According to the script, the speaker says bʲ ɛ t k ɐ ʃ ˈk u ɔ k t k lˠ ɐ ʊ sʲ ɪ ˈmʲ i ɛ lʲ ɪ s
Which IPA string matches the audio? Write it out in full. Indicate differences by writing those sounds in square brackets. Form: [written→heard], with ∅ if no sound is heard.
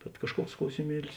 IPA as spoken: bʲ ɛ t k ɐ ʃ ˈk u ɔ k [t→s] k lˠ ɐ ʊ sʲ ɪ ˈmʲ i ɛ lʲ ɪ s

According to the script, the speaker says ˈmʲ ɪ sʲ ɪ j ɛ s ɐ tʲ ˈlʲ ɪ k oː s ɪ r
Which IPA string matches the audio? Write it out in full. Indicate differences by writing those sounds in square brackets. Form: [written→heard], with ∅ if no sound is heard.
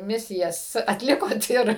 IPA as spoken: ˈmʲ ɪ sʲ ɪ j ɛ s ɐ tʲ ˈlʲ ɪ k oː [s→t] ɪ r

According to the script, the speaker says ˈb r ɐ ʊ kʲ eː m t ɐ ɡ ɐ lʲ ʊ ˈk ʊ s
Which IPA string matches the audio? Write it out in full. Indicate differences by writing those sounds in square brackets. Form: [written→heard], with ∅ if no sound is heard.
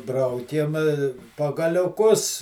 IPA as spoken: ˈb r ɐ ʊ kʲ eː m [t→p] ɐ ɡ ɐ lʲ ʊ ˈk ʊ s

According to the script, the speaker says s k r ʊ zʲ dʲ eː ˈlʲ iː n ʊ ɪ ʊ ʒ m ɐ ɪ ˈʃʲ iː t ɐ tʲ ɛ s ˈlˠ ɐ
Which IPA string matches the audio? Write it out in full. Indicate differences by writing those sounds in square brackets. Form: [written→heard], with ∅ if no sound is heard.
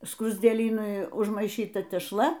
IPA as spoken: s k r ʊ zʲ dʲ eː ˈlʲ iː n ʊ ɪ ʊ ʒ m ɐ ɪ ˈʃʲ iː t ɐ tʲ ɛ [s→ʃ] ˈlˠ ɐ

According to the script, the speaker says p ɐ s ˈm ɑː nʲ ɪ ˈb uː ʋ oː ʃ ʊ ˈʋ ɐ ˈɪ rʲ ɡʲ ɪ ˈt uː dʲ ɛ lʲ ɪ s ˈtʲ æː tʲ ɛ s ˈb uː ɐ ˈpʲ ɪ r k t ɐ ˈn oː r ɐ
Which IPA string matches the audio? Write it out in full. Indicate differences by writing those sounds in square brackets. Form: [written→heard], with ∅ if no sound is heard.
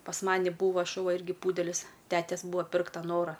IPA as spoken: p ɐ s ˈm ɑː nʲ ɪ ˈb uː ʋ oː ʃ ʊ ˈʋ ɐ ˈɪ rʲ ɡʲ ɪ [ˈt→ˈp] uː dʲ ɛ lʲ ɪ s ˈtʲ æː tʲ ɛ s ˈb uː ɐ ˈpʲ ɪ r k t ɐ ˈn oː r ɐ

